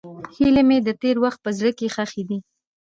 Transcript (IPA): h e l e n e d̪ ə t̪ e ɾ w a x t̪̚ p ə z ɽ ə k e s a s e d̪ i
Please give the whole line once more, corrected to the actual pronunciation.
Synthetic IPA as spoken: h i l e m e d̪ ə t̪ e ɾ w a x t̪̚ p ə z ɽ ə k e x a x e d̪ i